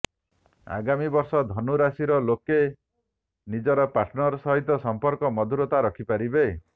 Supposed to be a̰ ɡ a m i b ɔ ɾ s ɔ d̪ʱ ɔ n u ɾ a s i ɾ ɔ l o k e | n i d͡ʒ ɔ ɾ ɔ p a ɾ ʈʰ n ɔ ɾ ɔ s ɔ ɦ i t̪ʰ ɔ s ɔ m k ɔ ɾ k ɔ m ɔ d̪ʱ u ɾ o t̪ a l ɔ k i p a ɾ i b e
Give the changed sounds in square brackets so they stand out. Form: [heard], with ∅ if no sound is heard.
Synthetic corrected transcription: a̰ ɡ a m i b ɔ ɾ s ɔ d̪ʱ ɔ n u ɾ a s i ɾ ɔ l o k e | n i d͡ʒ ɔ ɾ ɔ p a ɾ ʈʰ n ɔ ɾ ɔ s ɔ ɦ i [t̪] ɔ s ɔ m [p] ɔ ɾ k ɔ m ɔ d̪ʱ u ɾ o t̪ a [ɾ] ɔ [kʰ] i p a ɾ i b e

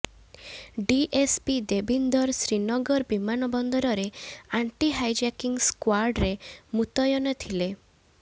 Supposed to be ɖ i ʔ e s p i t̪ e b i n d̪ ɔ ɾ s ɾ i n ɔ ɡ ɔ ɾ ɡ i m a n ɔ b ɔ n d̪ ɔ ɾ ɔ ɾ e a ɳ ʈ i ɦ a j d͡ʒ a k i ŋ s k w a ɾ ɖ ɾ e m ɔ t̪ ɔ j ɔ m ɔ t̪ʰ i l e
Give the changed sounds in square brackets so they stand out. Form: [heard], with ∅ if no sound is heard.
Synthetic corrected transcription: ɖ i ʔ e s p i [d̪] e b i n d̪ ɔ ɾ s ɾ i n ɔ ɡ ɔ ɾ [b] i m a n ɔ b ɔ n d̪ ɔ ɾ ɔ ɾ e a ɳ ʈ i ɦ a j d͡ʒ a k i ŋ s k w a ɾ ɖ ɾ e m [u] t̪ ɔ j ɔ [n] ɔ t̪ʰ i l e

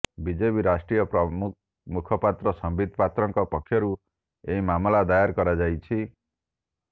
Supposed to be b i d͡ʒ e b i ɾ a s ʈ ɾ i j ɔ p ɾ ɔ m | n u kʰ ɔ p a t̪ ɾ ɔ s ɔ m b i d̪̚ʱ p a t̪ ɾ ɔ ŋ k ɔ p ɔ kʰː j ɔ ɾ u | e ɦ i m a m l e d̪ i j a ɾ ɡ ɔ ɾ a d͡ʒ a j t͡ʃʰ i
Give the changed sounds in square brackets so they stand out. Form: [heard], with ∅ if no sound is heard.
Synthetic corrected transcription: b i d͡ʒ e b i ɾ a s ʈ ɾ i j ɔ p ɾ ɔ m | [m] u kʰ ɔ p a t̪ ɾ ɔ s ɔ m b i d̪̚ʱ p a t̪ ɾ ɔ ŋ k ɔ p ɔ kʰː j ɔ ɾ u | e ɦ i m a m l [a] d̪ [a] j a ɾ [k] ɔ ɾ a d͡ʒ a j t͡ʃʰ i

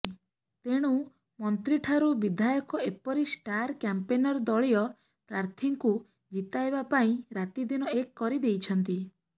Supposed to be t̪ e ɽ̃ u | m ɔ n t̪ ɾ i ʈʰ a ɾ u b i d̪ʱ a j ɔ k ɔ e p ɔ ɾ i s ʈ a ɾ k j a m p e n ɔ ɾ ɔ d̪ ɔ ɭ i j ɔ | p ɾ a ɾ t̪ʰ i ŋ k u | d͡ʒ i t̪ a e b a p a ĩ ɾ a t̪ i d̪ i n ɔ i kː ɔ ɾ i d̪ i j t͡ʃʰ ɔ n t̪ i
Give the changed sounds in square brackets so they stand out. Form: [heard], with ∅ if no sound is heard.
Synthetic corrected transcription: t̪ e ɽ̃ u | m ɔ n t̪ ɾ i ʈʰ a ɾ u b i d̪ʱ a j ɔ k ɔ e p ɔ ɾ i s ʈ a ɾ k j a m p e n ɔ ɾ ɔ d̪ ɔ ɭ i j ɔ | p ɾ a ɾ t̪ʰ i ŋ k u | d͡ʒ i t̪ a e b a p a ĩ ɾ a t̪ i d̪ i n ɔ [e] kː ɔ ɾ i d̪ [e] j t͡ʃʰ ɔ n t̪ i

